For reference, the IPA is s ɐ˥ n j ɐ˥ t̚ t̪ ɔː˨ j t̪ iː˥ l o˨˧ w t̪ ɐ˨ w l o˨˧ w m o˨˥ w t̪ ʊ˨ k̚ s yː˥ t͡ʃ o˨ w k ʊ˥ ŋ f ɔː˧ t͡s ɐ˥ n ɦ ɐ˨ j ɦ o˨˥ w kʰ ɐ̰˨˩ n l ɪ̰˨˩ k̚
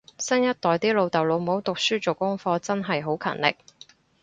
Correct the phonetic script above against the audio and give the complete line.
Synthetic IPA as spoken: s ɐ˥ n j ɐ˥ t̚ t̪ ɔː˨ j t̪ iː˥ l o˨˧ w t̪ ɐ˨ w l o˨˧ w m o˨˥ w t̪ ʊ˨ k̚ s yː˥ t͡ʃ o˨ w k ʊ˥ ŋ f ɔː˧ t͡s ɐ˥ n ɦ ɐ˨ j ɦ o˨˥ w kʰ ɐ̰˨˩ n l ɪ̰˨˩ k̚

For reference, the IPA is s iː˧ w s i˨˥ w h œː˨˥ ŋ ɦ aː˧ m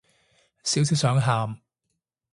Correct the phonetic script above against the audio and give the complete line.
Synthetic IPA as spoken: s iː˨˥ w s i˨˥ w s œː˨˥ ŋ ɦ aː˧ m

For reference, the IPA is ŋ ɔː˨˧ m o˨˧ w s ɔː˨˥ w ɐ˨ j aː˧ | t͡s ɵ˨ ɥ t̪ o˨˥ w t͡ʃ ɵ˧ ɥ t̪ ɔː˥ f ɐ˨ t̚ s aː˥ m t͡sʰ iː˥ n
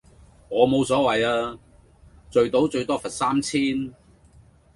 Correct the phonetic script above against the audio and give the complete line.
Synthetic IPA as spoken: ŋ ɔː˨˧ m o˨˧ w s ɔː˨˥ w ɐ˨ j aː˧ | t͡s ɵ˨ ɥ t̪ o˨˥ w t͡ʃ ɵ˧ ɥ t̪ ɔː˥ f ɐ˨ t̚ s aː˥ m t͡sʰ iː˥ n

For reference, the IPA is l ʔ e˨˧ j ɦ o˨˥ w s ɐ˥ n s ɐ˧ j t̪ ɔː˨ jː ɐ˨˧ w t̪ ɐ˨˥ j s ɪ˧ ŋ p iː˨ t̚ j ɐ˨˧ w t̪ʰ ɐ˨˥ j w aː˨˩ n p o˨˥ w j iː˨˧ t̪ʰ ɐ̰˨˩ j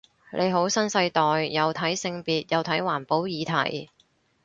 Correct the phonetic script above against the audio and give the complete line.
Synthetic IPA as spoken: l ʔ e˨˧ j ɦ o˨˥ w s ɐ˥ n s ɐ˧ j t̪ ɔː˨ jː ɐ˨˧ w t̪ʰ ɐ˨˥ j s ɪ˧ ŋ p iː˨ t̚ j ɐ˨˧ w t̪ʰ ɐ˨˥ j w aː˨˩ n p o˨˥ w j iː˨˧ t̪ʰ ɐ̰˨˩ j

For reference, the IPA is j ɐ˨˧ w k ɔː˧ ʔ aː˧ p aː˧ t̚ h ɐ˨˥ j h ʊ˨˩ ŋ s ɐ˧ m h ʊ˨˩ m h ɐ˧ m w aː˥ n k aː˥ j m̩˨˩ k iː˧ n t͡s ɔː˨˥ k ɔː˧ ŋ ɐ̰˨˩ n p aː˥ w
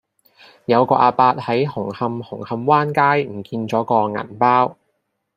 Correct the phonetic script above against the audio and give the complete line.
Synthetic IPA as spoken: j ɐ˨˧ w k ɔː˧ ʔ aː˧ p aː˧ t̚ h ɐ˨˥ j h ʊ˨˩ ŋ h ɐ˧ m h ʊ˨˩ ŋ h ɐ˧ m w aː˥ n k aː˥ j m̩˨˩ k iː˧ n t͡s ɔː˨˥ k ɔː˧ ŋ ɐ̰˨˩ n p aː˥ w

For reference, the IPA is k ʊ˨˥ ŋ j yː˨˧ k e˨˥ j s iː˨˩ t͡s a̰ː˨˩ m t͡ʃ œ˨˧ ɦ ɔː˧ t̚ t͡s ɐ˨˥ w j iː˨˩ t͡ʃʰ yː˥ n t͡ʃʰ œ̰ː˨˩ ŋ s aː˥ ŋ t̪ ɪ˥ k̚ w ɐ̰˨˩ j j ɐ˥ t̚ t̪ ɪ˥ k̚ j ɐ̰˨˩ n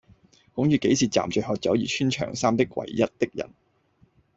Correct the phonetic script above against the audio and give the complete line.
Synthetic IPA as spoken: k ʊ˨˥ ŋ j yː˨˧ k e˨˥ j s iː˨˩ t͡s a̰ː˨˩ m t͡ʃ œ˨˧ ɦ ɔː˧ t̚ t͡s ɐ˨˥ w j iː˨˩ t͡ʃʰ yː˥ n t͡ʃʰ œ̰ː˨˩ ŋ s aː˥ m t̪ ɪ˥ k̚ w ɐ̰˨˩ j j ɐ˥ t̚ t̪ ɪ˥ k̚ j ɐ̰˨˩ n

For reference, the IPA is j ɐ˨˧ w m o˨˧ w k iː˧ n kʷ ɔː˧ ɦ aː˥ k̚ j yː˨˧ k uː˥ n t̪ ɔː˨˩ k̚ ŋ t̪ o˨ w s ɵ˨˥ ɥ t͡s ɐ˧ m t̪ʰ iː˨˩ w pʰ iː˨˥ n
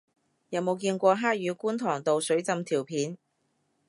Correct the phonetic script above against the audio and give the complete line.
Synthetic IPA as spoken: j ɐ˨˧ w m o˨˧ w k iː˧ n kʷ ɔː˧ ɦ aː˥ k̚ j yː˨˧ k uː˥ n t̪ʰ ɔː˨˩ ŋ t̪ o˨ w s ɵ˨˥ ɥ t͡s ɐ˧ m t̪ʰ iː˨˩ w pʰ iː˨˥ n

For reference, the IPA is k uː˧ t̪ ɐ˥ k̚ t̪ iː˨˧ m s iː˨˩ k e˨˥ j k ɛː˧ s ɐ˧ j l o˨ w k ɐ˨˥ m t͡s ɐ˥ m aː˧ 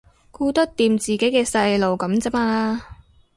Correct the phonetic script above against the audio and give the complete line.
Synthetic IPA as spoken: k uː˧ t̪ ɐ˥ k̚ t̪ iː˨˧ m t͡s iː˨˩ k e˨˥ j k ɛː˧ s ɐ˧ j l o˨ w k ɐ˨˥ m t͡s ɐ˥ m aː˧

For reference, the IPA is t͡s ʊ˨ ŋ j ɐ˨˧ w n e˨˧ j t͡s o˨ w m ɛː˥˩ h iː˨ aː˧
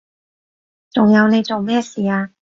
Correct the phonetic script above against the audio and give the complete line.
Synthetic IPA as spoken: t͡s ʊ˨ ŋ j ɐ˨˧ w n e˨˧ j t͡s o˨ w m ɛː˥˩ s iː˨ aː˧

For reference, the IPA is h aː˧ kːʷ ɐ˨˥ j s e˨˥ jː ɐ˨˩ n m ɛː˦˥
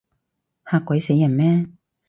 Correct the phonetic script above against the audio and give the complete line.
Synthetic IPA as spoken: h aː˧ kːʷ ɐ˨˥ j s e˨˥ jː ɐ˨˩ n m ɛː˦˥

